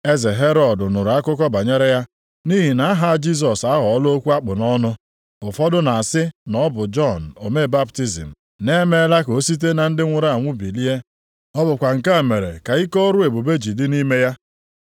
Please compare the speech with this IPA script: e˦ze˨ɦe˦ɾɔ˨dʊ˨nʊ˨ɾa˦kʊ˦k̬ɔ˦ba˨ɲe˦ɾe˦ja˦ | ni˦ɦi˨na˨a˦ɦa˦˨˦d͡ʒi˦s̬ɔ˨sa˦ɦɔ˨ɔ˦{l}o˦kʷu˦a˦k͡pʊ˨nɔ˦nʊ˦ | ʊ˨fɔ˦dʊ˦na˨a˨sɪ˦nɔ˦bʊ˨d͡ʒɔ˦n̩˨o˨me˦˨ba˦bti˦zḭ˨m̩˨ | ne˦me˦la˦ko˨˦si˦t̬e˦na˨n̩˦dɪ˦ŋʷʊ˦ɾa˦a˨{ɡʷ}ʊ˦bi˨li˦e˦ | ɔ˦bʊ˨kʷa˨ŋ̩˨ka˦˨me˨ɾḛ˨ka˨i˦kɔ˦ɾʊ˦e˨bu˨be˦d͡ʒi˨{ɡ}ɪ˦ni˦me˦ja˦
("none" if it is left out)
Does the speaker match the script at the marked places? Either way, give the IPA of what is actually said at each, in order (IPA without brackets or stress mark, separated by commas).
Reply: l, ŋʷ, d